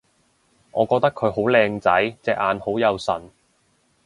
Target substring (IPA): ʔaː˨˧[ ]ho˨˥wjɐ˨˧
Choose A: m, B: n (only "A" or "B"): B